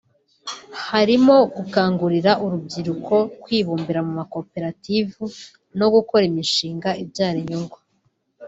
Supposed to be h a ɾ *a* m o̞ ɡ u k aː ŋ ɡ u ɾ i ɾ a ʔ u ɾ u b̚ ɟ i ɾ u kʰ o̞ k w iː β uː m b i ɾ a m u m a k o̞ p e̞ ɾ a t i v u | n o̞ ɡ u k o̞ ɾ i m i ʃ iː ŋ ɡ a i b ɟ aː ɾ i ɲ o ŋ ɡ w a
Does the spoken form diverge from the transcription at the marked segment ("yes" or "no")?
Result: yes